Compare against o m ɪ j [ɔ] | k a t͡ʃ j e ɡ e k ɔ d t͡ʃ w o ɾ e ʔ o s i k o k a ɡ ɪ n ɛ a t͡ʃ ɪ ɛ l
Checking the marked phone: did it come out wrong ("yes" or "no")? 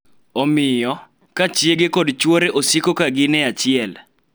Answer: no